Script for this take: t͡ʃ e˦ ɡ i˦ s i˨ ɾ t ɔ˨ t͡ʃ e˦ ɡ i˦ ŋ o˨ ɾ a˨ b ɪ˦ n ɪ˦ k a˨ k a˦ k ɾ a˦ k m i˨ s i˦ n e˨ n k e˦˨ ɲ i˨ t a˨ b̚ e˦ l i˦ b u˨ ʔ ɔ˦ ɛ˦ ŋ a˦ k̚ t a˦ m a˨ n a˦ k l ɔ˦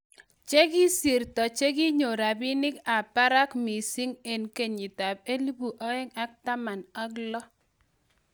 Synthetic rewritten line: t͡ʃ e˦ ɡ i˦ s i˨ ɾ t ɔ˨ t͡ʃ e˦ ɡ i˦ ɲ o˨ ɾ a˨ b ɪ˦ n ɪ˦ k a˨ p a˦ ɾ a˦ k m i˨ s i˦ ŋ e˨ n k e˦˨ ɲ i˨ t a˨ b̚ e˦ l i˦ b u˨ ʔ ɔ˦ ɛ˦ ŋ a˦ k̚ t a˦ m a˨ n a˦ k l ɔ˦